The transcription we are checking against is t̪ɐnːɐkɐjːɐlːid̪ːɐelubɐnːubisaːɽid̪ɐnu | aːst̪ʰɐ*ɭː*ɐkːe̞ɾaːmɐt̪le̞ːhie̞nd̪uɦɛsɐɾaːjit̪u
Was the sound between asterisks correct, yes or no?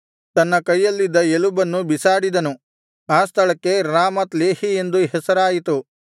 no